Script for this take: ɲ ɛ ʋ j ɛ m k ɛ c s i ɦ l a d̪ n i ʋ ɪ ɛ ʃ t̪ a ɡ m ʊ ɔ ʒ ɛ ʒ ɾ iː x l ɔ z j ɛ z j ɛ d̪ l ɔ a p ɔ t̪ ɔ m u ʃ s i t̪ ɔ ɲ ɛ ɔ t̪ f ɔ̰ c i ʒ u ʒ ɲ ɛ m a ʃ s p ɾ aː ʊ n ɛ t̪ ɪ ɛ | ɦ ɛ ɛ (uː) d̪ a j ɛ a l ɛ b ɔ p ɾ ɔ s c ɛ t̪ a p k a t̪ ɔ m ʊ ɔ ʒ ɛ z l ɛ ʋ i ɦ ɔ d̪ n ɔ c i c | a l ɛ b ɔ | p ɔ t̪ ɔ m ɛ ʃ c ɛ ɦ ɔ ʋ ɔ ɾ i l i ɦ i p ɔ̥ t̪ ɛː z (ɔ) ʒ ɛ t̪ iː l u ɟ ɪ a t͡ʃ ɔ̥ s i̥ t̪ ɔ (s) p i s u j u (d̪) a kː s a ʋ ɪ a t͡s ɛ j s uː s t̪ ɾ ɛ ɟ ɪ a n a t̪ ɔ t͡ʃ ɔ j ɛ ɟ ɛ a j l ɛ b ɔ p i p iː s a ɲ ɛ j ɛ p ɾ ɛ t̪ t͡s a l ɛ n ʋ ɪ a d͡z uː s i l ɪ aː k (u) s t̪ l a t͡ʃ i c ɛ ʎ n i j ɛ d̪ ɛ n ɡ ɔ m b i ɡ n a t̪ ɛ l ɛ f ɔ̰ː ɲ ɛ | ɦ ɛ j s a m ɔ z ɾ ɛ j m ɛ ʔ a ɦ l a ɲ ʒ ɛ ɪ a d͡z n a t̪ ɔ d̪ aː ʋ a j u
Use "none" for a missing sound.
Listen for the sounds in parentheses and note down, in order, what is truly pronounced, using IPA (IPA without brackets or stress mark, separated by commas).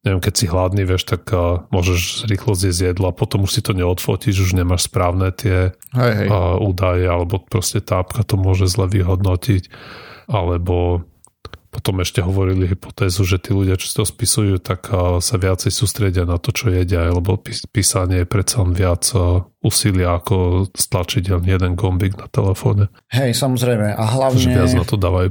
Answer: uː, u, s, t̪, ɔ